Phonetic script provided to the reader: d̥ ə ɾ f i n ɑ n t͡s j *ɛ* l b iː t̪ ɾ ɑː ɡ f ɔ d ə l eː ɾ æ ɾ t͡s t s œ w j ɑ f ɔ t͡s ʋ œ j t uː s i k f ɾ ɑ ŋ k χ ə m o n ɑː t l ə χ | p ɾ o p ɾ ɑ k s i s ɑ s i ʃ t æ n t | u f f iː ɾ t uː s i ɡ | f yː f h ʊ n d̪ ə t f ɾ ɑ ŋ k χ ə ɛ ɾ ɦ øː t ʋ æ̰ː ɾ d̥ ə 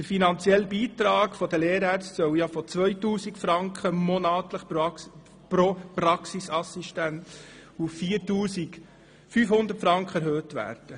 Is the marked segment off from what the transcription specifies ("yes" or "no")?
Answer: no